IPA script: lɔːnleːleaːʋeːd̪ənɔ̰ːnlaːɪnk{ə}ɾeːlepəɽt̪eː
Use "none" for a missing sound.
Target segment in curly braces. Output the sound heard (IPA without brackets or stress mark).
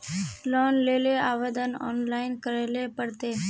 ə